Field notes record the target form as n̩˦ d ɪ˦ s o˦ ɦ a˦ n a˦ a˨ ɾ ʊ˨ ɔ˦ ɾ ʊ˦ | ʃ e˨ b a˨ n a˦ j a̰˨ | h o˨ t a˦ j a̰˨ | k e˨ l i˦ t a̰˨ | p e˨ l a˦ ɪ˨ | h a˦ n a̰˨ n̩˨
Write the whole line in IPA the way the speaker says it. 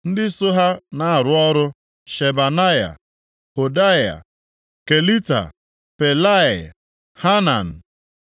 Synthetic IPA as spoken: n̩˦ d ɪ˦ s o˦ ɦ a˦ n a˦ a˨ ɾ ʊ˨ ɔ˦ ɾ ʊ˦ | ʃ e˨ b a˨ n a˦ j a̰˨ | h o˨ d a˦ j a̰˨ | k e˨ l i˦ t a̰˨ | p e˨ l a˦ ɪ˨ | h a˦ n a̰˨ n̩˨